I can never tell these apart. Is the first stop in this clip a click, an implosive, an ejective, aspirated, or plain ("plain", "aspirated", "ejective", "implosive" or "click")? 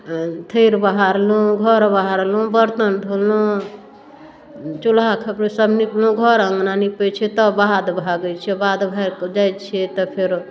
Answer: aspirated